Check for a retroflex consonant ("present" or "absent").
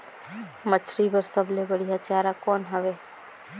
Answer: present